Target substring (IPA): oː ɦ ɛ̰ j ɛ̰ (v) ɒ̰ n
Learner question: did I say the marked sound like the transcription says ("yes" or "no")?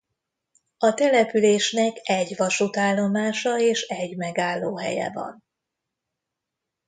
yes